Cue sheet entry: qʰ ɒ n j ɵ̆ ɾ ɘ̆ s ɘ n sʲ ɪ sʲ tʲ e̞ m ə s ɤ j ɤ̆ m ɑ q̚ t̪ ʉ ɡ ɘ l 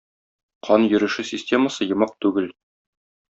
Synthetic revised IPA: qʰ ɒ n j ɵ̆ ɾ ɘ̆ ʃ ɘ sʲ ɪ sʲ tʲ e̞ m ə s ɤ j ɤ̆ m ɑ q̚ t̪ ʉ ɡ ɘ l

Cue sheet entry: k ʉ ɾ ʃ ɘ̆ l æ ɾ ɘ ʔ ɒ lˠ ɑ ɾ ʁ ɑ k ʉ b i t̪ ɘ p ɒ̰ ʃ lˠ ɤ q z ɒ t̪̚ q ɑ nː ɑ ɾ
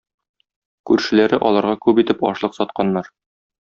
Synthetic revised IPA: k ʉ ɾ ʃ ɘ̆ l æ ɾ ɘ ʔ ɒ lˠ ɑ ɾ ʁ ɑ k ʉ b i t̪ ɘ p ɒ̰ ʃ lˠ ɤ q s ɒ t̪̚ q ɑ nː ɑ ɾ

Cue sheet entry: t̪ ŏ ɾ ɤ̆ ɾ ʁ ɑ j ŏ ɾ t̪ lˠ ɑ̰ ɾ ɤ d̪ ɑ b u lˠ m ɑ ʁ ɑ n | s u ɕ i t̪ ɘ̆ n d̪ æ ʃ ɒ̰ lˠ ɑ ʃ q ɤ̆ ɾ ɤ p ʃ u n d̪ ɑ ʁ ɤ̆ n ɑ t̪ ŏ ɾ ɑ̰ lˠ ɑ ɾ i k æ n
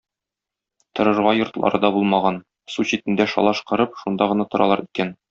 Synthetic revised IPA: t̪ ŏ ɾ ɤ̆ ɾ ʁ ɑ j ŏ ɾ t̪ lˠ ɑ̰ ɾ ɤ d̪ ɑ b u lˠ m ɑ ʁ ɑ n | s u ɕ i t̪ ɘ̆ n d̪ æ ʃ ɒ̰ lˠ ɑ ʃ q ɤ̆ ɾ ɤ p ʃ u n d̪ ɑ ʁ ɤ̆ n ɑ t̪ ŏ ɾ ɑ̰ lˠ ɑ ɾ i k æ n

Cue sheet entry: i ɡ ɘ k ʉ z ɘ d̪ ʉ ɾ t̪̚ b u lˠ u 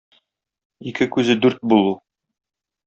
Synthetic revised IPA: i k ɘ k ʉ z ɘ d̪ ʉ ɾ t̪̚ b u lˠ u

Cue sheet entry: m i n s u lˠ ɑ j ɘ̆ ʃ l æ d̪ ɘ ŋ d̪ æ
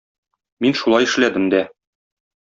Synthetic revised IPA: m i n ʃ u lˠ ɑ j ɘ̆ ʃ l æ d̪ ɘ m d̪ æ

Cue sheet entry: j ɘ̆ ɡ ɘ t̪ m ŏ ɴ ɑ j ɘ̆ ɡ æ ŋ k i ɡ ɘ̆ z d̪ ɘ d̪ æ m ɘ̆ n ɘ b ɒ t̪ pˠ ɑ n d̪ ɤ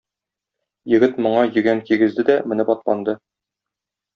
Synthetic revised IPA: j ɘ̆ ɡ ɘ t̪ m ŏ ɴ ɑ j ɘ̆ ɡ æ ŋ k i ɡ ɘ̆ z d̪ ɘ d̪ æ m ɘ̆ n ɘ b ɒ t̪ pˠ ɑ n d̪ ɤ

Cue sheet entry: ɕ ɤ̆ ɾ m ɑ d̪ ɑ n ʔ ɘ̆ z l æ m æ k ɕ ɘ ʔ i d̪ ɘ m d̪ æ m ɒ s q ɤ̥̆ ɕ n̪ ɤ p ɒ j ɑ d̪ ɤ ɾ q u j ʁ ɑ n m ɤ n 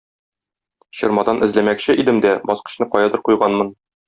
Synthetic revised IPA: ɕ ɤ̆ ɾ m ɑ d̪ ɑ n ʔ ɘ̆ z l æ m æ k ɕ ɘ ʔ i d̪ ɘ m d̪ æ b ɒ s q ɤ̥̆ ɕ n̪ ɤ q ɒ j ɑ d̪ ɤ ɾ q u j ʁ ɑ n m ɤ n

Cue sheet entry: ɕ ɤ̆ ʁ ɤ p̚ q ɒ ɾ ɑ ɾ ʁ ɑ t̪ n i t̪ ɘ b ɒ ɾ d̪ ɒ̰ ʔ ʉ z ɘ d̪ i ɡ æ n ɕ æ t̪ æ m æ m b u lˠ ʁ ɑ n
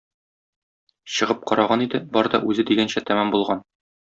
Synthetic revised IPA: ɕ ɤ̆ ʁ ɤ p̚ q ɒ ɾ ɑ ʁ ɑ n i d̪ ɘ b ɒ ɾ d̪ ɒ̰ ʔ ʉ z ɘ d̪ i ɡ æ n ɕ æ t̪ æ m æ m b u lˠ ʁ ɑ n

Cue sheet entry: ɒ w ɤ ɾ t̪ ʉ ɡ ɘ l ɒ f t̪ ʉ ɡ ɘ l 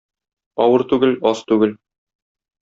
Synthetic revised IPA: ɒ w ɤ ɾ t̪ ʉ ɡ ɘ l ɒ s t̪ ʉ ɡ ɘ l

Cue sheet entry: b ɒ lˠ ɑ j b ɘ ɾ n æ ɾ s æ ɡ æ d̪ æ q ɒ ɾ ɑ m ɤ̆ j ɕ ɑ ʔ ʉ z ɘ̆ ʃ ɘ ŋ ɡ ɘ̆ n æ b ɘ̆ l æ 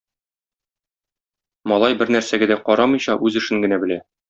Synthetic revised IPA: m ɒ lˠ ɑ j b ɘ ɾ n æ ɾ s æ ɡ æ d̪ æ q ɒ ɾ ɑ m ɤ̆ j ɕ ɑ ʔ ʉ z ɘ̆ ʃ ɘ ŋ ɡ ɘ̆ n æ b ɘ̆ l æ

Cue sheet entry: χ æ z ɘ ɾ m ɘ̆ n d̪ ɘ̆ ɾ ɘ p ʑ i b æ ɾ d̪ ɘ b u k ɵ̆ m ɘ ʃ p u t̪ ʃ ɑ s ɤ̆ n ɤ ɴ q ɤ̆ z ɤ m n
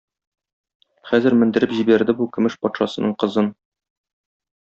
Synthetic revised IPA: χ æ z ɘ ɾ m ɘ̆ n d̪ ɘ̆ ɾ ɘ p ʑ i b æ ɾ d̪ ɘ b u k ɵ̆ m ɘ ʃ p ɒ t̪ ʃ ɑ s ɤ̆ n ɤ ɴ q ɤ̆ z ɤ n

